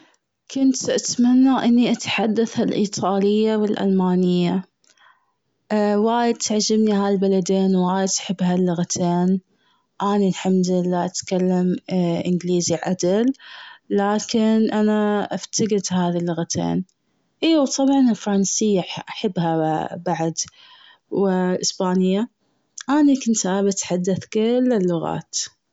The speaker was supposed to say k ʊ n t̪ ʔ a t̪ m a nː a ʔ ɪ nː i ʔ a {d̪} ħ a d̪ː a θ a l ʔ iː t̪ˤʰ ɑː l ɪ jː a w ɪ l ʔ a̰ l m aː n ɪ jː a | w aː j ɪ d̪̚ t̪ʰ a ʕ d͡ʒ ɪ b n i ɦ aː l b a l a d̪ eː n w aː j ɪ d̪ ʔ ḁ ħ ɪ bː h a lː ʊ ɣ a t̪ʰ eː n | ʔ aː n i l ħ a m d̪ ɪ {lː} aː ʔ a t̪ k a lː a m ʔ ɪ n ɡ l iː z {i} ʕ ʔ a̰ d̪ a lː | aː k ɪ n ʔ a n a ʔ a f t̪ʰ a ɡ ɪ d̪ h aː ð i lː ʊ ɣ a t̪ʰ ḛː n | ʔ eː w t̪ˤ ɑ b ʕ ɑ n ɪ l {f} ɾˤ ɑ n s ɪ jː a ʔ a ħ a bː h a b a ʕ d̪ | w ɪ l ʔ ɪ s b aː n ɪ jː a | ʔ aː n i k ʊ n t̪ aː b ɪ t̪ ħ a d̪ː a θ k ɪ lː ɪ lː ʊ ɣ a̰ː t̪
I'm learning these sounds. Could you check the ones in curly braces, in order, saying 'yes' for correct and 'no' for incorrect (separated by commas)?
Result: no, yes, yes, yes